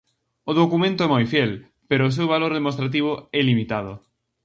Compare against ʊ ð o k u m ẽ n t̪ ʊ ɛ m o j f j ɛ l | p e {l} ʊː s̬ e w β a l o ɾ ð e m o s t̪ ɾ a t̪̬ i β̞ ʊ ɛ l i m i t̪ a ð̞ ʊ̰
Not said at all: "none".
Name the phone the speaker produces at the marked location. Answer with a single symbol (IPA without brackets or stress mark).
ɾ